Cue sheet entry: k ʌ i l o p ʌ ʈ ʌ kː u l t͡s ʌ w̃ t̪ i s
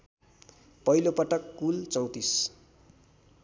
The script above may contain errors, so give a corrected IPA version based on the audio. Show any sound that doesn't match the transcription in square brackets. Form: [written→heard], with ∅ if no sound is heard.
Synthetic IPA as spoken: [k→p] ʌ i l o p ʌ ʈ ʌ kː u l t͡s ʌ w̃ t̪ i s